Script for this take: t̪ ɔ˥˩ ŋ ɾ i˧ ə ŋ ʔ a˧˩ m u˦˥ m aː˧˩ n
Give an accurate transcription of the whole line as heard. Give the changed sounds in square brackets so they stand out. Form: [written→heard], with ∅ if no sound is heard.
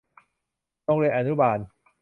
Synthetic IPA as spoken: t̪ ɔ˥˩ ŋ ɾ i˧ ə [ŋ→n] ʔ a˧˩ [m→n] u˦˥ [m→b] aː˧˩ n